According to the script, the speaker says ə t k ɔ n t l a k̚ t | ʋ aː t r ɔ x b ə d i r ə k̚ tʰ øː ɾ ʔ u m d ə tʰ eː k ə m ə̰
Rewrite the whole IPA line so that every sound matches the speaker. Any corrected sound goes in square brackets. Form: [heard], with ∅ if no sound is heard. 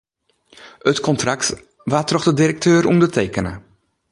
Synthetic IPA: ə t k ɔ n t [r] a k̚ t | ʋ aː t r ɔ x [d] ə d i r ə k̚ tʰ øː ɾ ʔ u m d ə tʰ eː k ə [n] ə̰